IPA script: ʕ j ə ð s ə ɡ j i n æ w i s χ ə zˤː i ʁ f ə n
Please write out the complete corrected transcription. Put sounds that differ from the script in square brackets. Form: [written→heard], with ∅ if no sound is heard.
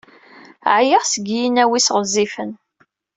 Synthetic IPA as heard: ʕ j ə [ð→ʁ] s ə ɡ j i n æ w i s [χ→ʁ] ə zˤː i [ʁ→∅] f ə n